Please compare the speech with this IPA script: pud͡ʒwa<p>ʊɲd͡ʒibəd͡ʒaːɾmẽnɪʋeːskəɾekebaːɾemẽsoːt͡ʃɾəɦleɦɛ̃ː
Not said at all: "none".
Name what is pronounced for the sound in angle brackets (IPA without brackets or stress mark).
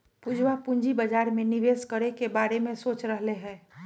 p